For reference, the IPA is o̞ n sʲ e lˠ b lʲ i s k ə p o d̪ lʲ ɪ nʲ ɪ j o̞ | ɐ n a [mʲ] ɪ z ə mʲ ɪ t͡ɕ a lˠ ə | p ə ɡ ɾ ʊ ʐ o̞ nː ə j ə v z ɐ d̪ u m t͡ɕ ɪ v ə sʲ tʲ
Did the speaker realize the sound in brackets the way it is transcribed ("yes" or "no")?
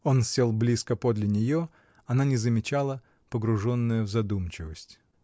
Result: no